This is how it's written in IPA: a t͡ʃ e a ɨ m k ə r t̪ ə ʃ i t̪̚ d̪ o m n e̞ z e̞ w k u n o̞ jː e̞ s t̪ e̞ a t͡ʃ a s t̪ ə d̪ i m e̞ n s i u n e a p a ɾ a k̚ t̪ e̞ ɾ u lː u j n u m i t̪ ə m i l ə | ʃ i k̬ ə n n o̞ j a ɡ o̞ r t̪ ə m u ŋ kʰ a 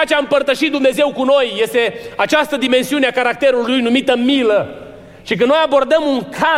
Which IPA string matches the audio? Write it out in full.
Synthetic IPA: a t͡ʃ e a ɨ m p ə r t̪ ə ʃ i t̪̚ d̪ u m n e̞ z e̞ w k u n o̞ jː e̞ s t̪ e̞ a t͡ʃ a s t̪ ə d̪ i m e̞ n s i u n e a k a ɾ a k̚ t̪ e̞ ɾ u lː u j n u m i t̪ ə m i l ə | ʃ i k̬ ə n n o̞ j a b o̞ r d̪ ə m u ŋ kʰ a